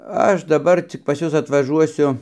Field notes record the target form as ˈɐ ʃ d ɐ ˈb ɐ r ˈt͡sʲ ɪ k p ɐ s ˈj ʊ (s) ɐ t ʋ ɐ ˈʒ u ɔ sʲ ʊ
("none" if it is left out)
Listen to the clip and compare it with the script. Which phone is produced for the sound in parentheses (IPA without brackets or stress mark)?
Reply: s